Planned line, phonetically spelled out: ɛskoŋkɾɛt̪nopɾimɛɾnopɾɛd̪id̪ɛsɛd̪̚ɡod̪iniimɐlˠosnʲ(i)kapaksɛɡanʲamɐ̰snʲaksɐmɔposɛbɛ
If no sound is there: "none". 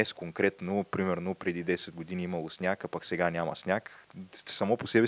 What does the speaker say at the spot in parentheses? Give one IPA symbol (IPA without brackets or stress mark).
a